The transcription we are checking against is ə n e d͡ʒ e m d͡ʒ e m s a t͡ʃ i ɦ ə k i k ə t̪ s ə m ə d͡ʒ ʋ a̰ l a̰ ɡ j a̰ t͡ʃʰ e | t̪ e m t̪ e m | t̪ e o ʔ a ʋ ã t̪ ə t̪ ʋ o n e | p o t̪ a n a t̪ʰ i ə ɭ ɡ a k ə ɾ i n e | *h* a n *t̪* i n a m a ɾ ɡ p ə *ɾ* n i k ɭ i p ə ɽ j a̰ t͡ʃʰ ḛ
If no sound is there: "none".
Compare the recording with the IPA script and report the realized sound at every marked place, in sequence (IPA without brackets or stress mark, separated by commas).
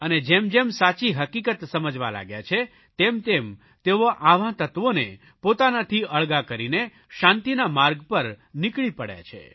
ʃ, t̪, ɾ